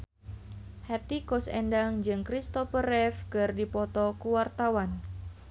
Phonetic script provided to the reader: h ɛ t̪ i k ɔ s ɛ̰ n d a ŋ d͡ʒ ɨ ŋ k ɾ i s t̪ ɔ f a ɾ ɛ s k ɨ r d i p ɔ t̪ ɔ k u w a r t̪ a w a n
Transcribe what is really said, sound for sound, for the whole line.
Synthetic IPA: h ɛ t̪ i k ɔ s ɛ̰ n d a ŋ d͡ʒ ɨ ŋ k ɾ i s t̪ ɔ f ə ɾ ɛ f k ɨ r d i p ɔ t̪ ɔ k u w a r t̪ a w a n